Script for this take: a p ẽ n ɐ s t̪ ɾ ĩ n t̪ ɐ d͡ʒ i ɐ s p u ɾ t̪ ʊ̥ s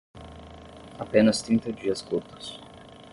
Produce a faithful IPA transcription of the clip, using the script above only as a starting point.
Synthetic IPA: a p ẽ n ɐ s t̪ ɾ ĩ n t̪ ɐ d͡ʒ i ɐ s k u ɾ t̪ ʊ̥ s